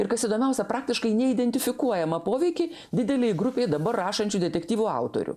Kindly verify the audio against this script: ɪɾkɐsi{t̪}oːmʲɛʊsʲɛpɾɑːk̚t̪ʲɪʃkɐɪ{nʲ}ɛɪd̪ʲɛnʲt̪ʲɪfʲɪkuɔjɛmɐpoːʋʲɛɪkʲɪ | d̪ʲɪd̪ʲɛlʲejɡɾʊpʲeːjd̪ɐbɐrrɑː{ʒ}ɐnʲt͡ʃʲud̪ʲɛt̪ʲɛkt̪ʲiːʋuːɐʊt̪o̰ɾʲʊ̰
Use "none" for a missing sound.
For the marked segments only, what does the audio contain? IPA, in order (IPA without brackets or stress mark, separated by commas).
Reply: d̪, nʲ, ʃ